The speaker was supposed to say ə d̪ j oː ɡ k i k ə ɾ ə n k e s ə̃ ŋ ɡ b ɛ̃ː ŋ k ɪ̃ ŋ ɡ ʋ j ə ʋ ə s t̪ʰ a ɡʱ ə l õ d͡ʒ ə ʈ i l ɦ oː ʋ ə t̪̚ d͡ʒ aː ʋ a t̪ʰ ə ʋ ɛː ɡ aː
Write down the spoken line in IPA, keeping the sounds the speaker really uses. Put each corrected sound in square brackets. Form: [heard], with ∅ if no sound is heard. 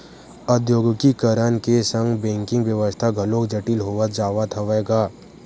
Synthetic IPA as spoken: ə d̪ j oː ɡ k i k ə ɾ ə n k e s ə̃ ŋ ɡ b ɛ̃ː ŋ k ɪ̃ ŋ ɡ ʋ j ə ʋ ə s t̪ʰ a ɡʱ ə l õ d͡ʒ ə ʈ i l ɦ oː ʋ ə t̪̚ d͡ʒ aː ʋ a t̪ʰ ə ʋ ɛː ɡ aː